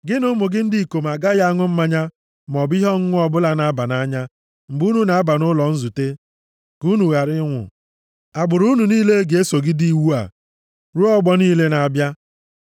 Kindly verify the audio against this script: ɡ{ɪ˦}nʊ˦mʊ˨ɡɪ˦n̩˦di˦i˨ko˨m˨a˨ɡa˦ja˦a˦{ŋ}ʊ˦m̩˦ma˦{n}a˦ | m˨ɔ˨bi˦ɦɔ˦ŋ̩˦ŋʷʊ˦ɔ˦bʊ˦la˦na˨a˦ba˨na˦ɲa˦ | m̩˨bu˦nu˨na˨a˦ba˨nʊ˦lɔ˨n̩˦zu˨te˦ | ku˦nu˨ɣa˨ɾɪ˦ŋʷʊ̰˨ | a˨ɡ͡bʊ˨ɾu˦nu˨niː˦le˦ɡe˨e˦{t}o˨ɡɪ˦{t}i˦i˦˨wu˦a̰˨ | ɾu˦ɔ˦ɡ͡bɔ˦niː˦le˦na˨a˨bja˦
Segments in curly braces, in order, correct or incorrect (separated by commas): correct, correct, incorrect, incorrect, incorrect